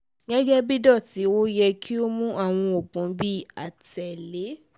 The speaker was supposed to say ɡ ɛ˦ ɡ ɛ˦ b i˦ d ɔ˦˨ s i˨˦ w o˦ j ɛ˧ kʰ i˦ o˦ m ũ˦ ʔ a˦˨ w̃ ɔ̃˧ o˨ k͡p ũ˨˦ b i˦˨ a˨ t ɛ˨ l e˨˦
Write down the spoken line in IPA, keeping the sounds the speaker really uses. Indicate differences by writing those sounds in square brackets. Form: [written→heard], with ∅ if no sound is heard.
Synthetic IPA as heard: ɡ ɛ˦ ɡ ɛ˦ b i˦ d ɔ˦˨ [s→t] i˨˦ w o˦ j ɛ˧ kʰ i˦ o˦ m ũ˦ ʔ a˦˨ w̃ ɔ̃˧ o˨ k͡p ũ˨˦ b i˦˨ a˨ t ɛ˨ l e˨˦